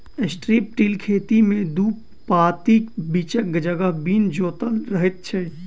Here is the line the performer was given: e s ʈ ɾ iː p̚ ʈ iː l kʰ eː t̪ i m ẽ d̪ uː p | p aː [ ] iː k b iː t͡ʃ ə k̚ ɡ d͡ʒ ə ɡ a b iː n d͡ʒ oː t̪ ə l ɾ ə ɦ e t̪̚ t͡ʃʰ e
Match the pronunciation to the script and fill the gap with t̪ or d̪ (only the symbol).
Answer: t̪